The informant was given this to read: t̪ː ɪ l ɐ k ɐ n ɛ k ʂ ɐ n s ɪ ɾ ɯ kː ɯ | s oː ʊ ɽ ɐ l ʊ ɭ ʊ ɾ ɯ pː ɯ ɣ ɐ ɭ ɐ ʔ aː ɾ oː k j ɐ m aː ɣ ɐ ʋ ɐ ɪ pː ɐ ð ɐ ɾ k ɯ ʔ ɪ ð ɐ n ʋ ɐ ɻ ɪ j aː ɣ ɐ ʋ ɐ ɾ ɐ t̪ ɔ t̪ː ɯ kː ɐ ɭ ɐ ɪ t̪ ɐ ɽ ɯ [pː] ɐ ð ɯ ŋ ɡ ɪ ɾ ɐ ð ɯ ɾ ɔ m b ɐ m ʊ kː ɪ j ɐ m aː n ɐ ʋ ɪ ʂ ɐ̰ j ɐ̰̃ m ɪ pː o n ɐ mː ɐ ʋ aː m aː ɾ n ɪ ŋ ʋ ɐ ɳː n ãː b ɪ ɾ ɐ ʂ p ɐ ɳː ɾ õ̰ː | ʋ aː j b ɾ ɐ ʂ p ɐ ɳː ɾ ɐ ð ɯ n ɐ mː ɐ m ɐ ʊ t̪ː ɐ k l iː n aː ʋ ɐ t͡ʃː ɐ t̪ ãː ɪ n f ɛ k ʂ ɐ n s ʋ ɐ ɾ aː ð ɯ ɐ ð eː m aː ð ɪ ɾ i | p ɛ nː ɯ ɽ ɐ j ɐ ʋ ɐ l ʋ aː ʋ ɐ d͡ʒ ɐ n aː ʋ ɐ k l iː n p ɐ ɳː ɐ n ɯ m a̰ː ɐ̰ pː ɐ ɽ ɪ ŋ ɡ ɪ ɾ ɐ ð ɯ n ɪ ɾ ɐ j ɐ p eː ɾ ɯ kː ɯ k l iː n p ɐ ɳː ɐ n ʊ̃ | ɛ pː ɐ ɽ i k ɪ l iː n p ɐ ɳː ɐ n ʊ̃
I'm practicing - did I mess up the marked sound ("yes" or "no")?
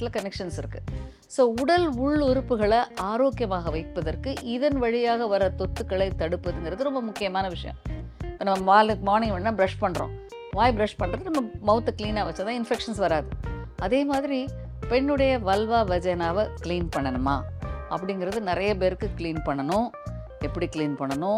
no